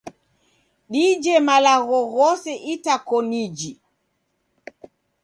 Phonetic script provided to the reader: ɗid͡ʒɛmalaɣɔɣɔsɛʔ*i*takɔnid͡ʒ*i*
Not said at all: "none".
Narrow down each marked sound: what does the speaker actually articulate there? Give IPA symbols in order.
i, i

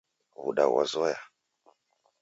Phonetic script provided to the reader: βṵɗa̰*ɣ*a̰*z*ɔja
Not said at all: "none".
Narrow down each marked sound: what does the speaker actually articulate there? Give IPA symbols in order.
w, z

